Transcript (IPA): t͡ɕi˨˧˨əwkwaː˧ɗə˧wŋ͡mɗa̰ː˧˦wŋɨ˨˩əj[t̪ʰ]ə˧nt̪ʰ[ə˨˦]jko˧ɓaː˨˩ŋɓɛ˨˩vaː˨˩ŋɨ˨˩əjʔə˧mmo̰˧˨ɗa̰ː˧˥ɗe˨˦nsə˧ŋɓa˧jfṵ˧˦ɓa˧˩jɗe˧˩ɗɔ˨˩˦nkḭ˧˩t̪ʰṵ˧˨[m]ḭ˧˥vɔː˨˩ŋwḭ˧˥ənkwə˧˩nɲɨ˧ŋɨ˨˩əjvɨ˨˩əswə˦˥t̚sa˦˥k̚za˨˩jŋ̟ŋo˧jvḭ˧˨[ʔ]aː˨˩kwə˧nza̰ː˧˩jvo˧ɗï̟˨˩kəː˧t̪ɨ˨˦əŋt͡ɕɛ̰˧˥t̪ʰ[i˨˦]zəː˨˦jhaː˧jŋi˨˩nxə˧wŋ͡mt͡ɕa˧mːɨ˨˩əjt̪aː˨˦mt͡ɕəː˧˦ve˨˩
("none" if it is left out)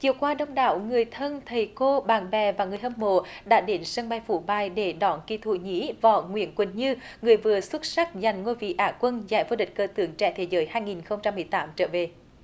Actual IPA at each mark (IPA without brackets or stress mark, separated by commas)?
t̪ʰ, ə˨˩, ɲ, ʔ, e˨˦